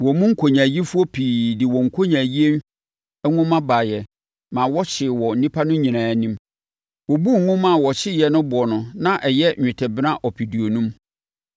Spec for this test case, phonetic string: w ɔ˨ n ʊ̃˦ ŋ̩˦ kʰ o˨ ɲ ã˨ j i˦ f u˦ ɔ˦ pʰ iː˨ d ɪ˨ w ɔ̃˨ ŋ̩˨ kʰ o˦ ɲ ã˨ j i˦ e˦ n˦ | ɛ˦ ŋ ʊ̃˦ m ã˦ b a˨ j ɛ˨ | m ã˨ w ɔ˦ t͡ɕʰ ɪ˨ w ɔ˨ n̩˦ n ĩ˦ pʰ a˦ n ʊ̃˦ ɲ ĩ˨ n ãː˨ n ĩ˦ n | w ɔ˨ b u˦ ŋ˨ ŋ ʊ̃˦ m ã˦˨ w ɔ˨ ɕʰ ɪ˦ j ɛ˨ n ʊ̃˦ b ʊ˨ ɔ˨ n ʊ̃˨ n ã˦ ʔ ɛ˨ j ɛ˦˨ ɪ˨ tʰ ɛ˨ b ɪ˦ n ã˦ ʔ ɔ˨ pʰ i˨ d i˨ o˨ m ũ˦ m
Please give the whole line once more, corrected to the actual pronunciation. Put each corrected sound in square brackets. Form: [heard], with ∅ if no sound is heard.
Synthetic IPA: w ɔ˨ [m] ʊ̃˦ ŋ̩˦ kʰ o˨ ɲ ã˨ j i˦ f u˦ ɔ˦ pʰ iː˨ d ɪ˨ w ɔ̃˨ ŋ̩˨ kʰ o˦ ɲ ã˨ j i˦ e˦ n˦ | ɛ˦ ŋ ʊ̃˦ m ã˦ b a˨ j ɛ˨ | m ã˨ w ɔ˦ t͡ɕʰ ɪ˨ w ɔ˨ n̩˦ n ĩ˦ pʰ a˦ n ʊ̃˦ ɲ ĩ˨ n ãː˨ n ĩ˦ [m] | w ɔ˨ b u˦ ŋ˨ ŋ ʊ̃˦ m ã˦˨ w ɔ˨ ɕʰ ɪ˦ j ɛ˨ n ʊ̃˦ b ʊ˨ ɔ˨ n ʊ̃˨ n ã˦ ʔ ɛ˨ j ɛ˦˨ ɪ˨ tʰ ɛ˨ b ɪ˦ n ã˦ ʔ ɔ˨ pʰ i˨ d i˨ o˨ [n] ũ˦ m